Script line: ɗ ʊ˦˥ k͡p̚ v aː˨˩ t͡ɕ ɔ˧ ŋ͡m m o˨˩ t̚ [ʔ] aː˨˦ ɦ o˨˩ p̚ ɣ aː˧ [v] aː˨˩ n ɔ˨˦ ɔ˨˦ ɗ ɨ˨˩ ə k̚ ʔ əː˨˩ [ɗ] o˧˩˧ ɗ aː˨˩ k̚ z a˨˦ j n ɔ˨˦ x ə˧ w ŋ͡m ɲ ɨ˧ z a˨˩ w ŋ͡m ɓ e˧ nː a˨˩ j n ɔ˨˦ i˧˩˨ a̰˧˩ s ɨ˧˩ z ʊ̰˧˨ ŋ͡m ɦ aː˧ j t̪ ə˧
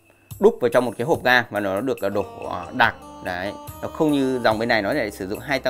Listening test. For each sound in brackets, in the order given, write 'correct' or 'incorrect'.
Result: incorrect: k, correct, correct

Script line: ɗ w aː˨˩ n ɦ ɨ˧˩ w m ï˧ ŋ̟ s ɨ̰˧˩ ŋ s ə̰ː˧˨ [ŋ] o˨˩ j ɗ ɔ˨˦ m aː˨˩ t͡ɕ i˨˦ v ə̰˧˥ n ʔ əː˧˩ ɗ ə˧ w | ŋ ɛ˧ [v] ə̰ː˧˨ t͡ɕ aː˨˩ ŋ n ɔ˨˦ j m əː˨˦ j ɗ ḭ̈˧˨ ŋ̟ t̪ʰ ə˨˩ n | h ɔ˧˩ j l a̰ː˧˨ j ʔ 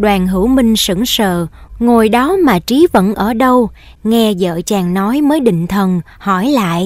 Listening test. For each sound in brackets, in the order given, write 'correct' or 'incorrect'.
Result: correct, incorrect: z

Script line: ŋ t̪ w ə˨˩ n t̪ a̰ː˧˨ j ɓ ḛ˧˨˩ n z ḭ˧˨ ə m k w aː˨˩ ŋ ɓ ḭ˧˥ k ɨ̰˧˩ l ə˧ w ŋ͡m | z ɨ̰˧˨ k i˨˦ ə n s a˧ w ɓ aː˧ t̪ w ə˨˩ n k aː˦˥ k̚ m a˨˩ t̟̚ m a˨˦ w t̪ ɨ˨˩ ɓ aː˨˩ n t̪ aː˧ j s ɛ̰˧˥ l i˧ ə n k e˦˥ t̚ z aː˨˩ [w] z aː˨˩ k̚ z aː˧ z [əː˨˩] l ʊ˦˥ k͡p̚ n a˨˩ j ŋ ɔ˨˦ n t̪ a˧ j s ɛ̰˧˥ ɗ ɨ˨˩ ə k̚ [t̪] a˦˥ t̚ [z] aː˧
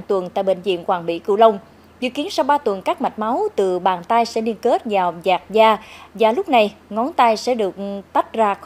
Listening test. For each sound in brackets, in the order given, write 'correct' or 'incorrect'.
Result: correct, incorrect: aː˨˩, correct, correct

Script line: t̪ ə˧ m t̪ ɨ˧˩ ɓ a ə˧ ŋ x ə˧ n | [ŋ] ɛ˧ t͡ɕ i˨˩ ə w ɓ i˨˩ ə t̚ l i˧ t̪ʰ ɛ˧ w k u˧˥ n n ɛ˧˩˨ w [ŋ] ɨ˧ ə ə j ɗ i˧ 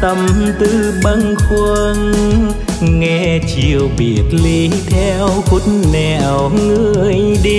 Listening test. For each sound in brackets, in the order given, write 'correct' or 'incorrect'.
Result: correct, correct

